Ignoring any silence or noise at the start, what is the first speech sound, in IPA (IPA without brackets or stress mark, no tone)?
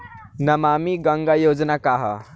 n